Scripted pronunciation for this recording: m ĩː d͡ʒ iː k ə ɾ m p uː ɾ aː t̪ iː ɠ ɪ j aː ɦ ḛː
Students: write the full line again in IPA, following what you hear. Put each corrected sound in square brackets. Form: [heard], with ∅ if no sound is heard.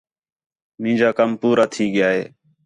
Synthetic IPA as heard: m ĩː d͡ʒ [aː] k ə [∅] m p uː ɾ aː [t̪ʰ] iː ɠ ɪ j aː ɦ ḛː

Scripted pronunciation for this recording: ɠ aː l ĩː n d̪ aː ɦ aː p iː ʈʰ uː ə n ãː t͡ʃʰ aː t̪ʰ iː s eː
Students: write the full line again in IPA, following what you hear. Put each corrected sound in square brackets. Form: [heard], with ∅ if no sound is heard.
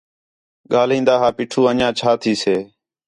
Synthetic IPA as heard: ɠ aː l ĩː n d̪ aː ɦ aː p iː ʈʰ uː ə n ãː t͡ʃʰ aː t̪ʰ iː s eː

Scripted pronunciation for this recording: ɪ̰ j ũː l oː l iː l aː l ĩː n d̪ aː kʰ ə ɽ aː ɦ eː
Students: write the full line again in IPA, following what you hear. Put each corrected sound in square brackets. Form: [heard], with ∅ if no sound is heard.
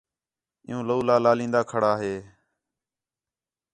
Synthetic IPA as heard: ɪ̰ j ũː l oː l [aː] l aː l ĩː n d̪ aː kʰ ə ɽ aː ɦ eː

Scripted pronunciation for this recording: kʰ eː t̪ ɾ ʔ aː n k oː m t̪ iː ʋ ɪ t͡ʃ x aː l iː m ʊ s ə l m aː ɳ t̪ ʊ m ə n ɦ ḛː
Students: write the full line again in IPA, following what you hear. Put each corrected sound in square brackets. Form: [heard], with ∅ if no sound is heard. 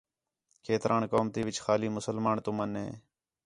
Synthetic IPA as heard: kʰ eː t̪ ɾ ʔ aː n k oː m t̪ iː ʋ ɪ t͡ʃ x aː l iː m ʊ s ə l m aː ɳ t̪ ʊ m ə n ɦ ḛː

